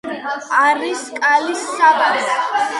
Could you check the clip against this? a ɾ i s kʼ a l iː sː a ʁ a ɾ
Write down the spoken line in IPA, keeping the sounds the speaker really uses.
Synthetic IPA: a ɾ i s kʼ a l i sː a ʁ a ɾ